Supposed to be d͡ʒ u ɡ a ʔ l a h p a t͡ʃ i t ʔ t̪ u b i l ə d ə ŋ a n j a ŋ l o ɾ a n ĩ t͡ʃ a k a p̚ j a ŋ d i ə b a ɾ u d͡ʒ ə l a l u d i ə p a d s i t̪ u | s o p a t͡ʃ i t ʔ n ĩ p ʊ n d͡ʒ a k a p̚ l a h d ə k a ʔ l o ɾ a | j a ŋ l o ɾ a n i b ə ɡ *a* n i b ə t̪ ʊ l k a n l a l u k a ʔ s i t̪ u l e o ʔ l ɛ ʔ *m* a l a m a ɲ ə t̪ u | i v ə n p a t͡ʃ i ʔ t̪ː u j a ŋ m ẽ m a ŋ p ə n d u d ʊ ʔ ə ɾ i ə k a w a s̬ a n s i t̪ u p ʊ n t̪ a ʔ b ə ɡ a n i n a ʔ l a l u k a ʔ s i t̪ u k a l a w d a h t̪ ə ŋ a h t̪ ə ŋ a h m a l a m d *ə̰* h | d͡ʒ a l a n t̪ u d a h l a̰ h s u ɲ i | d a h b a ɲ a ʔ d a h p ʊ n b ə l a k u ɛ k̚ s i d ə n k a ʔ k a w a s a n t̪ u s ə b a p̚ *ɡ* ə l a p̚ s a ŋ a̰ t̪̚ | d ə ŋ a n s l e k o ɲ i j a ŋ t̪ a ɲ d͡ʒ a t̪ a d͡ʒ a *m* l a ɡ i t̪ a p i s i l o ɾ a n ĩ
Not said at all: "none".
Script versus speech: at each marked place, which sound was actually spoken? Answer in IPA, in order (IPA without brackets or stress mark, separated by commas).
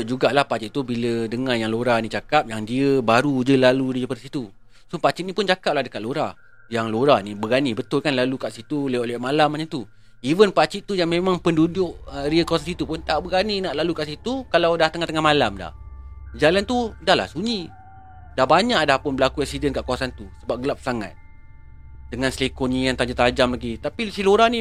a, m, a̰, ɡ, m